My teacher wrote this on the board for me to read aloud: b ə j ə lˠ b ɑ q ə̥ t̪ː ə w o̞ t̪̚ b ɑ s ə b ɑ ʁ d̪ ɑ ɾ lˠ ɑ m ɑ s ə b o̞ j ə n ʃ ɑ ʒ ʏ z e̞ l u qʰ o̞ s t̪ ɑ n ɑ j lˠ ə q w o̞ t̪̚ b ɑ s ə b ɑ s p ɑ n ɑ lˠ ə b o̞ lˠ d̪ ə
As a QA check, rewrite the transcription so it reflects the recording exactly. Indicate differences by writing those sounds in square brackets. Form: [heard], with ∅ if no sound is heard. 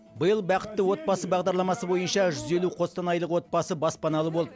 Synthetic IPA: b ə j ə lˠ b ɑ q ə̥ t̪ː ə w o̞ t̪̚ b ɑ s ə b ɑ ʁ d̪ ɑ ɾ lˠ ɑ m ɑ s ə b o̞ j ə n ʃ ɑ ʒ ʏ z e̞ l u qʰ o̞ s t̪ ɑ n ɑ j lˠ ə q w o̞ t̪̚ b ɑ s ə b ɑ s p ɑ n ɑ lˠ ə b o̞ lˠ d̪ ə